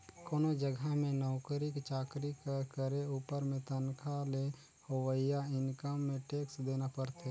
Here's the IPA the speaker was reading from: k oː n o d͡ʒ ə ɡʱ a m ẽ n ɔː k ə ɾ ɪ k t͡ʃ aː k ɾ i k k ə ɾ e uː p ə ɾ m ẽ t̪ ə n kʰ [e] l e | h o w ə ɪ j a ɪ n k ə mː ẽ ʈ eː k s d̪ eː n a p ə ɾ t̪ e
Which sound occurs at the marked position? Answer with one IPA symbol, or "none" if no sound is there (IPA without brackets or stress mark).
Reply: a